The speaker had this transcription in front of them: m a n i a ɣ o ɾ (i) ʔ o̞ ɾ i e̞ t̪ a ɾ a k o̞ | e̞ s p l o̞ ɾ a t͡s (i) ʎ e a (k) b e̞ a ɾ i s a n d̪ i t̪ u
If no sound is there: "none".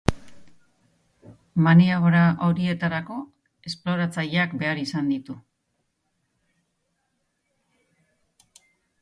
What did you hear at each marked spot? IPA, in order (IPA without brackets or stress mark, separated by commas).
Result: a, a, k